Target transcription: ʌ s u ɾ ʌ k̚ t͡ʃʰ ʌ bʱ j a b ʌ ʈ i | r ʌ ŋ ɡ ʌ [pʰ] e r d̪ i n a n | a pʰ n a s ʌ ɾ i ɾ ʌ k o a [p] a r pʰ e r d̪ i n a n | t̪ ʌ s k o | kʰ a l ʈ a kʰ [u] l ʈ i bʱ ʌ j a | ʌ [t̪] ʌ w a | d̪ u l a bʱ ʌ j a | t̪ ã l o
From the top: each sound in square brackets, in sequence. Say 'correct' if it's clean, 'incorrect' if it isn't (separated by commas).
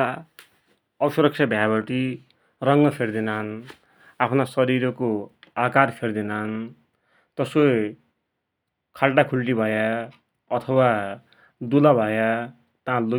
correct, incorrect, correct, incorrect